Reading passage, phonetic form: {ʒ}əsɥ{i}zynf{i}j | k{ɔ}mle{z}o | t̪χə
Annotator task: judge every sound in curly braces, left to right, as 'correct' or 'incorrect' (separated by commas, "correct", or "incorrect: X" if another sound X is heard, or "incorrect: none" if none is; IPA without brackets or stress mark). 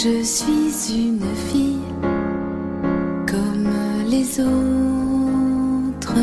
correct, correct, correct, correct, correct